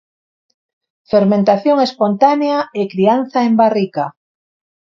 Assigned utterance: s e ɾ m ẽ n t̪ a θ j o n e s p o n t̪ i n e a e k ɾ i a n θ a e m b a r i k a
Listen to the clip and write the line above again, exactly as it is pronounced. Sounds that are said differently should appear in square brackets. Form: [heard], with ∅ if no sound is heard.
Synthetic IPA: [f] e ɾ m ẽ n t̪ a θ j o [ŋ] e s p o n t̪ [a] n e a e k ɾ i a n θ a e m b a r i k a